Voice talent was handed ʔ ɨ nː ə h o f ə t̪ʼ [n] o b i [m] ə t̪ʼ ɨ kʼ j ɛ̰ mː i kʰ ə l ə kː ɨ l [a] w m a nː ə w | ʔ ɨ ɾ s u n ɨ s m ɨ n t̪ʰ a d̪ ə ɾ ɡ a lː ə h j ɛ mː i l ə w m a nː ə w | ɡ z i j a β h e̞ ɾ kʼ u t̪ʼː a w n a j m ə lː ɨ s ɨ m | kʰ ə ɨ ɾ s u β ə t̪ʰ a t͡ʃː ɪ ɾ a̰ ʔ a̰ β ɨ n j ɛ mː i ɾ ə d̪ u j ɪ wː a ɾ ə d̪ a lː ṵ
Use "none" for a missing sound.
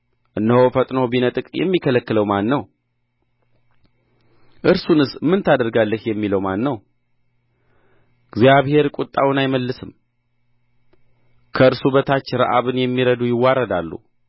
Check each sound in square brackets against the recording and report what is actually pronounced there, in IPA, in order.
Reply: n, n, ə

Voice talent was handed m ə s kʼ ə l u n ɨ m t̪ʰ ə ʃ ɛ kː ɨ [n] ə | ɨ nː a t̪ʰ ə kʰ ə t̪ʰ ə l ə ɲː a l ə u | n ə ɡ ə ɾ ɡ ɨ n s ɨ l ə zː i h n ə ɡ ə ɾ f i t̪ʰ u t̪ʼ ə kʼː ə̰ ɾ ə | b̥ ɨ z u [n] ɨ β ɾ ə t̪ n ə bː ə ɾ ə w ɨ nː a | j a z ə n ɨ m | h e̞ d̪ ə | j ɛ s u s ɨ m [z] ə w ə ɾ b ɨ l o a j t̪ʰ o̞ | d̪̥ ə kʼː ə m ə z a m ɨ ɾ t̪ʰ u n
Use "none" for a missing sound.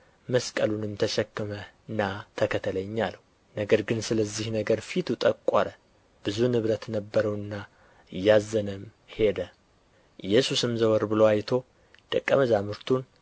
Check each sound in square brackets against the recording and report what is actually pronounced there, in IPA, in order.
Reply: m, n, z

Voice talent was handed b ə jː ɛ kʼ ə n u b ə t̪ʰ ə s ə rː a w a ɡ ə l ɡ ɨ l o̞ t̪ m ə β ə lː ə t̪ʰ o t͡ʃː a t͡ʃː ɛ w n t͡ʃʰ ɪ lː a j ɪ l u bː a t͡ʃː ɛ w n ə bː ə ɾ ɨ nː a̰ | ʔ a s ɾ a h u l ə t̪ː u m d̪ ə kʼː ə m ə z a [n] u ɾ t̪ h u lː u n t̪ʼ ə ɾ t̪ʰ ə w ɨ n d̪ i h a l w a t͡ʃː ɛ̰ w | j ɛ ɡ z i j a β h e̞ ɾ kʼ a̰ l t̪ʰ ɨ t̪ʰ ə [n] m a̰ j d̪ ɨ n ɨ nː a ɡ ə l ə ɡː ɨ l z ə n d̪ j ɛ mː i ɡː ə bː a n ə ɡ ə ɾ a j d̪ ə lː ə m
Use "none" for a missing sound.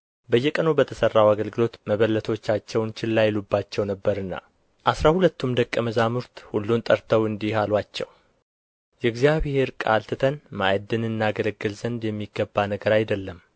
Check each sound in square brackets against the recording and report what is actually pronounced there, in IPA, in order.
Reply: m, n

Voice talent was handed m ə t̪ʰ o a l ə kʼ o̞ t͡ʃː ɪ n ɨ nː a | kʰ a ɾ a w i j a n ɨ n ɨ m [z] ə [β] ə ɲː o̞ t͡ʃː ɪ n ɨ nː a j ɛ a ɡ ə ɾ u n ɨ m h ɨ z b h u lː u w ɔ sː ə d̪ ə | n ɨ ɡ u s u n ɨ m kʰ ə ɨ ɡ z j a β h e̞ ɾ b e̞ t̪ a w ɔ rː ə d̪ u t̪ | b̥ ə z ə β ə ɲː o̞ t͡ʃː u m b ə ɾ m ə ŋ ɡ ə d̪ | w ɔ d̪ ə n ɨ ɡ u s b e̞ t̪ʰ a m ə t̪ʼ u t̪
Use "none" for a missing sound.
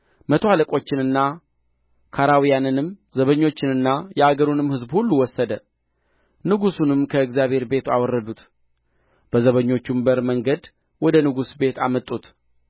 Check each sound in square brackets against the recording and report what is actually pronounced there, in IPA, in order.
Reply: z, β

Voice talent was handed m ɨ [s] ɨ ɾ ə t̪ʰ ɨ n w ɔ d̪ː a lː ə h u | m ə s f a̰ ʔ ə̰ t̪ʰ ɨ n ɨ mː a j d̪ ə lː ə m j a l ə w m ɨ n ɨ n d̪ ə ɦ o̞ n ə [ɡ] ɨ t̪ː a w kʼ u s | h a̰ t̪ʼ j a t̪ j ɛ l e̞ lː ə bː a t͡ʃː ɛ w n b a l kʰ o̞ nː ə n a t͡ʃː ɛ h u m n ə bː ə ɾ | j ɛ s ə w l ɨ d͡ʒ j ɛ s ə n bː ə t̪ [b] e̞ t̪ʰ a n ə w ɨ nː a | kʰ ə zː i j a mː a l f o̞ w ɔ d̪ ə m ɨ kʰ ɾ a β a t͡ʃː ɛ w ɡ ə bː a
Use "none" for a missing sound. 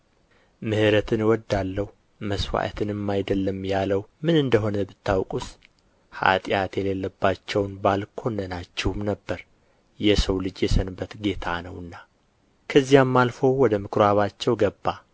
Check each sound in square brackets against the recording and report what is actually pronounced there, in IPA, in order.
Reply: h, b, ɡ

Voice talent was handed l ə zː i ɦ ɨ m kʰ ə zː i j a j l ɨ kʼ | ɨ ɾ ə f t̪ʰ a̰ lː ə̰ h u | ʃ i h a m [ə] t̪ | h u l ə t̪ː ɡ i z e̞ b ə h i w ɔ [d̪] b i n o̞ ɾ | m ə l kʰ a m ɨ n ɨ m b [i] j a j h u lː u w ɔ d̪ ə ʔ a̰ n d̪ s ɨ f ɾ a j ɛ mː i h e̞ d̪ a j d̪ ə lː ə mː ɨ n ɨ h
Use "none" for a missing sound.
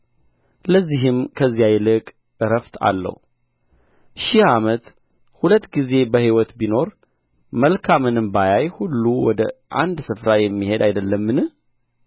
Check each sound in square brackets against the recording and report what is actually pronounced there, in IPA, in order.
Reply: ə, t̪, a

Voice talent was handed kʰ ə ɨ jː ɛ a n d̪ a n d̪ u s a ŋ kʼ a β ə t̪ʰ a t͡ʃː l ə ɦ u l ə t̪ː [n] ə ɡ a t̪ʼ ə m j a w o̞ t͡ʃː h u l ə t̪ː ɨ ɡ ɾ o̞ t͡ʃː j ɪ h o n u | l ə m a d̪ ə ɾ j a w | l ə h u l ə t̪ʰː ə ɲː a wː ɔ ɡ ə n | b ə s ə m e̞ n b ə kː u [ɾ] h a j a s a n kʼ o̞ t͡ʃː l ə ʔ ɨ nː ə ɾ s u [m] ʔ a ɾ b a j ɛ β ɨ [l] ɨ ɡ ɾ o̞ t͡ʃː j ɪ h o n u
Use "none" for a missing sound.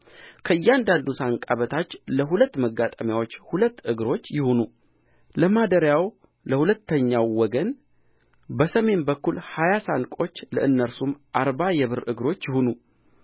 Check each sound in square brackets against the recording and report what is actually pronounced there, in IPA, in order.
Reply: m, l, m, ɾ

